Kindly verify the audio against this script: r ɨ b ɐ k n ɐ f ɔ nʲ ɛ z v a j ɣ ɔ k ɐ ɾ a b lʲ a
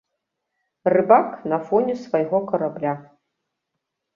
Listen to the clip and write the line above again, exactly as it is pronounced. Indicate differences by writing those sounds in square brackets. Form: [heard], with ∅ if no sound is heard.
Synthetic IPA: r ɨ b [a] k n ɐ f ɔ nʲ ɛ [s] v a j ɣ ɔ k ɐ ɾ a b lʲ a